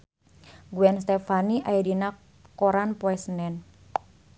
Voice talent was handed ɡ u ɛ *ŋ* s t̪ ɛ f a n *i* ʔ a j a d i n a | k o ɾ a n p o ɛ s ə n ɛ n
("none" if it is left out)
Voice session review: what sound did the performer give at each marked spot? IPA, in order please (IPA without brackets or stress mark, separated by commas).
n, i